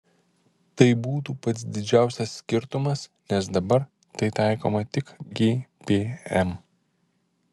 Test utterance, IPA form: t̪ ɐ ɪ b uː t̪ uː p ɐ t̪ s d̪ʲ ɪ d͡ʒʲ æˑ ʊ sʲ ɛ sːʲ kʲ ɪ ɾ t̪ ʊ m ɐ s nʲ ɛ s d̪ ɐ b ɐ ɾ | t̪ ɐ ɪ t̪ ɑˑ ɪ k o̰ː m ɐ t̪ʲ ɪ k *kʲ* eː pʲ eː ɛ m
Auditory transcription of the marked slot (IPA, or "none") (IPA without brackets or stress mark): ɡʲ